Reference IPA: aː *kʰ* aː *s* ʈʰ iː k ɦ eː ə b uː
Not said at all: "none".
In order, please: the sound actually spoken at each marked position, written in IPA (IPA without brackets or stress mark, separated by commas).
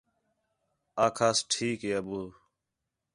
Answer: kʰ, s